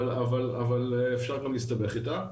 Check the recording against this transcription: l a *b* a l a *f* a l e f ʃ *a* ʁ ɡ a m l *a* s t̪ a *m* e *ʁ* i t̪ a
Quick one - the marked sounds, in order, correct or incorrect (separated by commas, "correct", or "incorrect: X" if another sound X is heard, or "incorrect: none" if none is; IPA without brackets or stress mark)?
incorrect: v, incorrect: v, correct, incorrect: i, incorrect: b, incorrect: χ